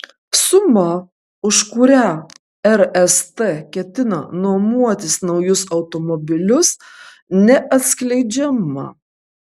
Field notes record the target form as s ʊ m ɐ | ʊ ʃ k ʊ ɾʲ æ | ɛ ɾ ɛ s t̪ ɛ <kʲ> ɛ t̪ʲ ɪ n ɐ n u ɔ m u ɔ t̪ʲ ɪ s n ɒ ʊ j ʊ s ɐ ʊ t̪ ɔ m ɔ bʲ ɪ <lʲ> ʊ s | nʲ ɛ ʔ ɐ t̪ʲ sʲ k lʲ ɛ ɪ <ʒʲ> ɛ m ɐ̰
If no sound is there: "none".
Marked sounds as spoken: kʲ, lʲ, d͡ʒʲ

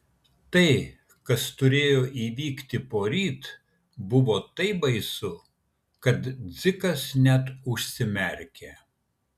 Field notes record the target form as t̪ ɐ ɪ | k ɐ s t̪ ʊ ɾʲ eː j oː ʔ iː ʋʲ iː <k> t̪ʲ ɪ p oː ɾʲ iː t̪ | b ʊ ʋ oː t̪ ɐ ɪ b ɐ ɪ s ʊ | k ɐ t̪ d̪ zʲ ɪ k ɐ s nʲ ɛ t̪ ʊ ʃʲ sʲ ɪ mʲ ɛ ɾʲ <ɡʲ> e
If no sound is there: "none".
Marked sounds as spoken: k, kʲ

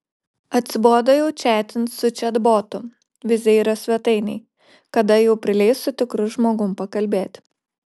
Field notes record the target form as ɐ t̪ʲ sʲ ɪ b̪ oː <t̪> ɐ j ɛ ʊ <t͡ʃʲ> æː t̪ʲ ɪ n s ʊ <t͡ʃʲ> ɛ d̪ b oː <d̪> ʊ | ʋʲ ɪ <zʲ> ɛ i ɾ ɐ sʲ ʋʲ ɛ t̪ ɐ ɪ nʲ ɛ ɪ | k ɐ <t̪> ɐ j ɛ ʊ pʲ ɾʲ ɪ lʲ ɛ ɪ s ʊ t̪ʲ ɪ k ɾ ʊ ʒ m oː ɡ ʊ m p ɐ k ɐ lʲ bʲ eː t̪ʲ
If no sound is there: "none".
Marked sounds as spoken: d̪, t͡ʃʲ, t͡ʃʲ, t̪, zʲ, d̪

